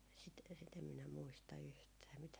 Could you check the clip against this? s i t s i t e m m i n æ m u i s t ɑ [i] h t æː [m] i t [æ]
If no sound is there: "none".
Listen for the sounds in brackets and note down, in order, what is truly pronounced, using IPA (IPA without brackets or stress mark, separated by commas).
y, m, æ